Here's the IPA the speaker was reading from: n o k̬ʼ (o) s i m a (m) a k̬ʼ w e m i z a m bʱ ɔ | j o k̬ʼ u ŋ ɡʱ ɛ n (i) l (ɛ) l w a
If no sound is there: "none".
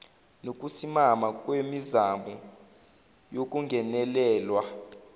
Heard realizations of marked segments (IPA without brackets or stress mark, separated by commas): u, m, ɛ, ɛː